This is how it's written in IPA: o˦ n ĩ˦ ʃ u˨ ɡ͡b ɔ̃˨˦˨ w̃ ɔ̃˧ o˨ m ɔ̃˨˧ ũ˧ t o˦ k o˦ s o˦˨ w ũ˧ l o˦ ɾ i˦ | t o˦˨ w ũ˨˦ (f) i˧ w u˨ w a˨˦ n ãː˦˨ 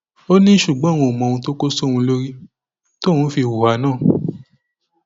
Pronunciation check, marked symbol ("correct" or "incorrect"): correct